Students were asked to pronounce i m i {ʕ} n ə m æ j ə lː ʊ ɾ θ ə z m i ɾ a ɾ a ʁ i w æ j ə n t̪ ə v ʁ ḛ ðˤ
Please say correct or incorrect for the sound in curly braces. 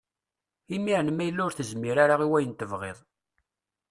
correct